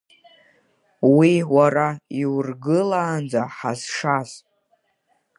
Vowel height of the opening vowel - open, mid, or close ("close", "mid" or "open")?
close